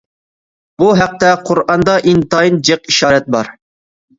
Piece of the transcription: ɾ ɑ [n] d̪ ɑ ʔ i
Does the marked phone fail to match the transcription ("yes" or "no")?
no